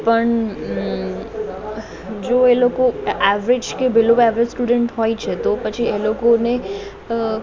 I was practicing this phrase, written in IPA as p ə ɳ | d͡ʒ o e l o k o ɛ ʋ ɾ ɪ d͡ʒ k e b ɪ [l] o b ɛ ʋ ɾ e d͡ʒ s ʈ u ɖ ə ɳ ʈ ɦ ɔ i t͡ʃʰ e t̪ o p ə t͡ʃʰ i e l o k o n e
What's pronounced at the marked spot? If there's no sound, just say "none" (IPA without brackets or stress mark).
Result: l